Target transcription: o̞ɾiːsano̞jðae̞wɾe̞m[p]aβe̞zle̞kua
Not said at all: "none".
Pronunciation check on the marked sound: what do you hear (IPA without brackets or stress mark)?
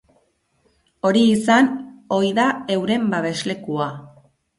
b